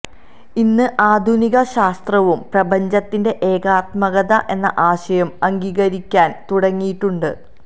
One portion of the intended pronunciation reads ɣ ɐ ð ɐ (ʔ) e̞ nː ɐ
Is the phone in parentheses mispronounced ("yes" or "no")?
no